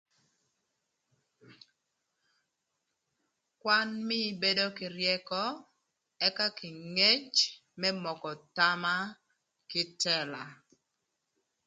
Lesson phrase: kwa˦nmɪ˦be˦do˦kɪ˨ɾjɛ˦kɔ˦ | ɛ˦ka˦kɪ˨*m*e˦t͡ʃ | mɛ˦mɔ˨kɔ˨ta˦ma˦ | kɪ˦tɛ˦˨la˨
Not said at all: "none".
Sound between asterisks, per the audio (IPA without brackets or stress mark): ŋ